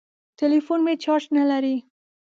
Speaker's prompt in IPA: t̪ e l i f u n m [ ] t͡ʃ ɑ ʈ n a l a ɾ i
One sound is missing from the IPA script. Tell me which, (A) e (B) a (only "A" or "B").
A